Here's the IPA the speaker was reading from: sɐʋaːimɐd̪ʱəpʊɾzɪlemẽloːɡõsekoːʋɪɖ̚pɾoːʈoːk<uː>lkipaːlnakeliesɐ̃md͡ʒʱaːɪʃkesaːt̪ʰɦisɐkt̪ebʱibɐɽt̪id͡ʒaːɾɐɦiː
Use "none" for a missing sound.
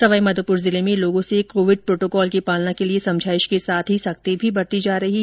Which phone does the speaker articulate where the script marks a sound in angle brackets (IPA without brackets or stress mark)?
ɔː